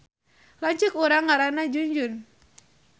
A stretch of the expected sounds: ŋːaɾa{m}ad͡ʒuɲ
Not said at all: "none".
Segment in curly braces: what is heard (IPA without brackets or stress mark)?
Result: n